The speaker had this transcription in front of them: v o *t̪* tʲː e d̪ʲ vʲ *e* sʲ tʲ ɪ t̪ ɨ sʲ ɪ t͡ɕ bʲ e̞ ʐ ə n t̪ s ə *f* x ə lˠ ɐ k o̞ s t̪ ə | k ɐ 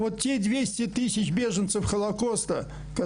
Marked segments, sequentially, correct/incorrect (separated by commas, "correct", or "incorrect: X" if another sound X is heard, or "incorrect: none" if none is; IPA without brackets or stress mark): correct, correct, correct